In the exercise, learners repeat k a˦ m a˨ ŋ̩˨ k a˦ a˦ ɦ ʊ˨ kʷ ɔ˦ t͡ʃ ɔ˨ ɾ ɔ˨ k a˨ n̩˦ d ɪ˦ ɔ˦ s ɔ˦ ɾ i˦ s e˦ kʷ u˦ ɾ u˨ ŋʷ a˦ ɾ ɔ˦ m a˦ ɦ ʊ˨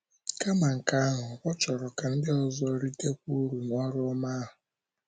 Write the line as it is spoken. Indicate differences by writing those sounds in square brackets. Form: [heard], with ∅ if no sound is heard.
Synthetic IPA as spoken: k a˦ m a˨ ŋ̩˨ k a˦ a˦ ɦ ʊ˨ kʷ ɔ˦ t͡ʃ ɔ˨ ɾ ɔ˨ k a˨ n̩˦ d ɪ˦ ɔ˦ [z] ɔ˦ ɾ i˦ [t] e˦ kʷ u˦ ɾ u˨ ŋʷ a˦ ɾ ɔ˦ m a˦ ɦ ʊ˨